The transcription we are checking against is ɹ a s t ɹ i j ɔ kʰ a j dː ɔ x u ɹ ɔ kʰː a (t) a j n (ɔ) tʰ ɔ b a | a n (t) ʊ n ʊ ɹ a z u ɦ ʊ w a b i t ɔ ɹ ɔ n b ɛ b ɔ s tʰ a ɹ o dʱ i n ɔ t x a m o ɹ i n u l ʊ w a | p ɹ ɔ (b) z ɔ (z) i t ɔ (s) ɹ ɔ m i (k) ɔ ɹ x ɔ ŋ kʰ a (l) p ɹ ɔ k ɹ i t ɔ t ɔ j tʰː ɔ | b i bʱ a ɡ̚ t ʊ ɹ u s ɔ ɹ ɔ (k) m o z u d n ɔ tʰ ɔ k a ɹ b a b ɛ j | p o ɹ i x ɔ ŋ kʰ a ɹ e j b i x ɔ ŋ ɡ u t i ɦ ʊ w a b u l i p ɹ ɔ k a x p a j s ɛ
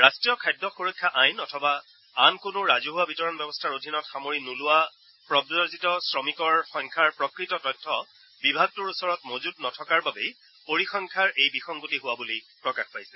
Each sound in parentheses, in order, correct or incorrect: incorrect, correct, incorrect, correct, correct, correct, correct, incorrect, incorrect

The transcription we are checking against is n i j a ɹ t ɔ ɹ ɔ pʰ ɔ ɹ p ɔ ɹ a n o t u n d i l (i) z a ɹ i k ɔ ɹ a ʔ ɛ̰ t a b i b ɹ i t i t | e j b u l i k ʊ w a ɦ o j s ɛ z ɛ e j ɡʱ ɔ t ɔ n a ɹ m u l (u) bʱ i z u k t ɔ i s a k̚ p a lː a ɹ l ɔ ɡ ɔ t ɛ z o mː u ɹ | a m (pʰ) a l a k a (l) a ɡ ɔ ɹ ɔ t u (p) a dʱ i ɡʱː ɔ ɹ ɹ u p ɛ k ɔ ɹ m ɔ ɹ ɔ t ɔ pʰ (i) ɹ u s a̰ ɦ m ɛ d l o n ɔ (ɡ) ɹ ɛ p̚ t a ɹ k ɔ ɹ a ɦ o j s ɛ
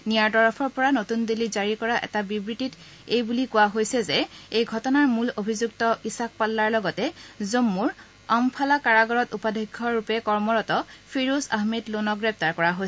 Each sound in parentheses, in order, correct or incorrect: correct, incorrect, correct, incorrect, correct, correct, correct

